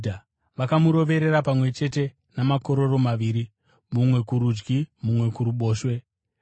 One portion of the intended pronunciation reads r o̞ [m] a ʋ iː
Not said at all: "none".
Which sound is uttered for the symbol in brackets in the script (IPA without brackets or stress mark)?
m